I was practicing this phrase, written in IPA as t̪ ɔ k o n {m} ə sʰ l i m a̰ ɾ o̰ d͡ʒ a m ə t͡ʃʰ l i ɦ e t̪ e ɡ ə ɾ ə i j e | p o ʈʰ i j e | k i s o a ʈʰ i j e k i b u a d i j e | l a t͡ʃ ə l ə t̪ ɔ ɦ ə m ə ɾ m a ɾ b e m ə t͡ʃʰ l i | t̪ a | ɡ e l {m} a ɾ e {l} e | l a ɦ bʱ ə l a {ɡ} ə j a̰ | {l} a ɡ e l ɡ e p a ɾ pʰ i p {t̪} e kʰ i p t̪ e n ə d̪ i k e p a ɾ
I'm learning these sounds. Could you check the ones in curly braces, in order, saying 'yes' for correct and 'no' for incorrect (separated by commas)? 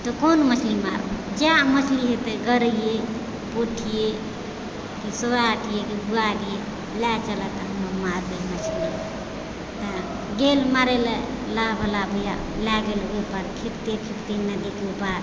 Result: yes, yes, yes, no, yes, yes